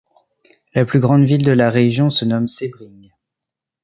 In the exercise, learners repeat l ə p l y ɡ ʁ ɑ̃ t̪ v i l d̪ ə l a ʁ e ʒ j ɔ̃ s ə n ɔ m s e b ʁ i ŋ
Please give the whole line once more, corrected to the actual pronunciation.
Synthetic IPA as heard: l a p l y ɡ ʁ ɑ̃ d̪ v i l d̪ ə l a ʁ e ʒ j ɔ̃ s ə n ɔ m s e b ʁ i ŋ